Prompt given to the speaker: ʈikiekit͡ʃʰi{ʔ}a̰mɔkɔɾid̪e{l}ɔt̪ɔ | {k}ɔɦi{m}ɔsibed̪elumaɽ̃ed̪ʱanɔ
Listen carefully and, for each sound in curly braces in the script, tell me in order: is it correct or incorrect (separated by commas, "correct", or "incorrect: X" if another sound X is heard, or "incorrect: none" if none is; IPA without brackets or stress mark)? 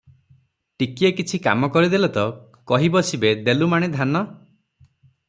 incorrect: k, correct, correct, incorrect: b